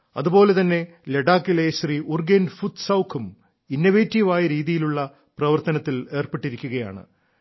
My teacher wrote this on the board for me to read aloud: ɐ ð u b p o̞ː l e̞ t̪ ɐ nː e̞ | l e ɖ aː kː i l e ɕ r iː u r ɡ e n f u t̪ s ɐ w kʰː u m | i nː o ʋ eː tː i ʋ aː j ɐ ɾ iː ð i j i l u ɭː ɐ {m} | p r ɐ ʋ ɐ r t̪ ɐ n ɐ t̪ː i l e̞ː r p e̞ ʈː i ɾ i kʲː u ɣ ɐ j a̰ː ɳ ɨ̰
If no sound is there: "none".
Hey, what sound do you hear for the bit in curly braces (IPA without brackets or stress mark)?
none